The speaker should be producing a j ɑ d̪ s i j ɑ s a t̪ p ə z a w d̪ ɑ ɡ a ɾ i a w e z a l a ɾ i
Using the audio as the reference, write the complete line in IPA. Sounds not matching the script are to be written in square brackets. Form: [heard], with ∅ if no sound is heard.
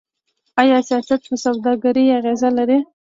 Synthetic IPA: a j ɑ [∅] s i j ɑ s a t̪ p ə [s] a w d̪ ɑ ɡ a ɾ i a [ɣ] e z a l a ɾ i